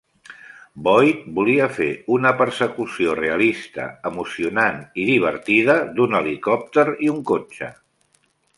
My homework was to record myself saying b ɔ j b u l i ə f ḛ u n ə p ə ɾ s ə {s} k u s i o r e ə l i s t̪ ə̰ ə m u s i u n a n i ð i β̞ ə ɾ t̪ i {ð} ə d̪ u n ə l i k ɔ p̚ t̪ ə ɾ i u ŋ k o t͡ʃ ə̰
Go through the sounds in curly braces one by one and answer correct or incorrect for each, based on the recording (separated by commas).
incorrect, correct